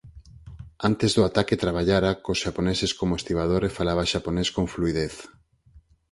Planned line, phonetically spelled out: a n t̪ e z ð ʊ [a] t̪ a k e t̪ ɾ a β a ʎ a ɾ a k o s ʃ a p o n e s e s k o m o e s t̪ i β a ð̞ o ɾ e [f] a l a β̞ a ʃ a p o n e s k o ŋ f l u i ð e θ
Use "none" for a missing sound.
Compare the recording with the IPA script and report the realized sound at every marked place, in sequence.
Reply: a, f

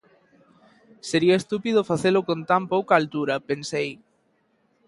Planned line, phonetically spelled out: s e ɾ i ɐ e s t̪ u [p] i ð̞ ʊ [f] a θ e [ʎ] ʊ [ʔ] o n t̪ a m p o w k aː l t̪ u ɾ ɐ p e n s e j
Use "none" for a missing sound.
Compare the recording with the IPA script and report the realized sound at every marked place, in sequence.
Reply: p, f, l, k

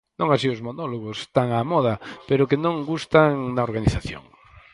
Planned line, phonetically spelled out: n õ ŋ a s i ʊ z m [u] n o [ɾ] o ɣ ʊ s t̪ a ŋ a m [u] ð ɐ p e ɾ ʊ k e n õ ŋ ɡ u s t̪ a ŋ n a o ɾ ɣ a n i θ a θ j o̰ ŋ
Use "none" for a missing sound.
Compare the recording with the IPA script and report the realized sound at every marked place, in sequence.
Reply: o, l, ɔ

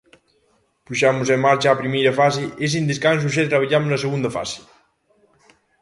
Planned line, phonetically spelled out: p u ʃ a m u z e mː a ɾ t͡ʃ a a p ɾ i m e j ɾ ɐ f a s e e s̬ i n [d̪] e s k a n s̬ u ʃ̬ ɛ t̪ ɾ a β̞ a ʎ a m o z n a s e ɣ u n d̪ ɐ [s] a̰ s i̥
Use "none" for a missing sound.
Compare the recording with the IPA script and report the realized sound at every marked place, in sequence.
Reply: d̪, f

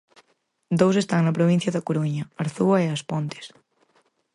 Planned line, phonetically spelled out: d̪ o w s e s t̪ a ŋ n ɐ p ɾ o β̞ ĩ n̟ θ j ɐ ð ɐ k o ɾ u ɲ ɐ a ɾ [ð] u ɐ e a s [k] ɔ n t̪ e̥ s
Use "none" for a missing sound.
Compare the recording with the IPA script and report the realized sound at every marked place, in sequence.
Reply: θ, p

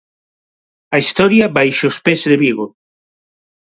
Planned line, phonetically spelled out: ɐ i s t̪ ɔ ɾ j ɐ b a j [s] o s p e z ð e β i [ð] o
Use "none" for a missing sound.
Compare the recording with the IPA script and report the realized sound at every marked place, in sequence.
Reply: ʃ, ɣ

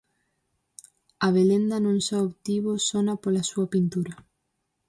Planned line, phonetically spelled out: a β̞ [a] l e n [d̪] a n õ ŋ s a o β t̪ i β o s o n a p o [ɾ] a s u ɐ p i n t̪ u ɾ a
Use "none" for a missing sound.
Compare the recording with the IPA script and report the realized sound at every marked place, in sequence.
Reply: e, d̪, l

